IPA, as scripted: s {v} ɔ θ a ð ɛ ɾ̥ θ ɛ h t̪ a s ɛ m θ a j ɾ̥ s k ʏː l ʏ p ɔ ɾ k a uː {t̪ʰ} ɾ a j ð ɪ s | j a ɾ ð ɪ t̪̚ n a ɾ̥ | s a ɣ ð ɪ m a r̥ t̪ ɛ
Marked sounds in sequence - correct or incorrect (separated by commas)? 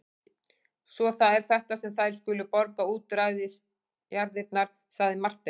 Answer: correct, incorrect